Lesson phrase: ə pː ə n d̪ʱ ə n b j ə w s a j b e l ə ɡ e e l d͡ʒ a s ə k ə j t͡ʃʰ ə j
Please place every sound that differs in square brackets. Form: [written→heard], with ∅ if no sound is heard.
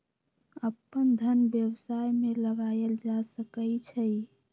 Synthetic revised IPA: ə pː ə n d̪ʱ ə n b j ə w s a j [b→m] e l ə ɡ [e→a] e l d͡ʒ a s ə k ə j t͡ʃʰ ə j